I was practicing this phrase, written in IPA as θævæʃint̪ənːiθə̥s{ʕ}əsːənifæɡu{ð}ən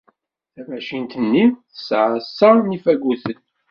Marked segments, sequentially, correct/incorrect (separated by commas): correct, incorrect